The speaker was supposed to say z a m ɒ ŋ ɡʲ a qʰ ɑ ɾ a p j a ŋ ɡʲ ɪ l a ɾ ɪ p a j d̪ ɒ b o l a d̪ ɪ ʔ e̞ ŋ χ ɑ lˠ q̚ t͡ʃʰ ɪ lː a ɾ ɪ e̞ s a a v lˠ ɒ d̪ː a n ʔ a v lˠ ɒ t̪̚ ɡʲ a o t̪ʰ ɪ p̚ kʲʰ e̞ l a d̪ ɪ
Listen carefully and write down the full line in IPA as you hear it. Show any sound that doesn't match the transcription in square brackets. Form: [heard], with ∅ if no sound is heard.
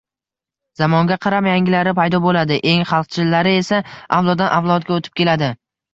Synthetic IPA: z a m ɒ ŋ ɡʲ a qʰ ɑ ɾ a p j a ŋ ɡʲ ɪ l a ɾ ɪ p a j d̪ ɒ b o l a d̪ ɪ ʔ e̞ ŋ χ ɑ lˠ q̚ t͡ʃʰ ɪ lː a ɾ ɪ e̞ s a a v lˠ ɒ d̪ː a n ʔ a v lˠ ɒ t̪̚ ɡʲ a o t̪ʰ ɪ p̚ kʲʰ e̞ l a d̪ ɪ

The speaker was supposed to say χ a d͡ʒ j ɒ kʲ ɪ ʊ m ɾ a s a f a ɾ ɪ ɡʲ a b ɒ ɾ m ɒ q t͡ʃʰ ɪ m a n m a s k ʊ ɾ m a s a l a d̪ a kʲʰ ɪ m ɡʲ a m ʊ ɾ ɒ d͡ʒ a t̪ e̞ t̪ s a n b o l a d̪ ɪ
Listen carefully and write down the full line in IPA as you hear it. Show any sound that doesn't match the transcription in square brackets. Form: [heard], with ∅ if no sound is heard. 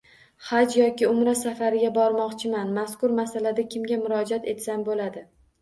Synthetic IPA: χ a d͡ʒ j ɒ kʲ ɪ ʊ m ɾ a s a f a ɾ ɪ ɡʲ a b ɒ ɾ m ɒ q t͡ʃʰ ɪ m a n m a s k ʊ ɾ m a s a l a d̪ a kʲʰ ɪ m ɡʲ a m ʊ ɾ ɒ d͡ʒ a t̪ e̞ t̪ s a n b o l a d̪ ɪ

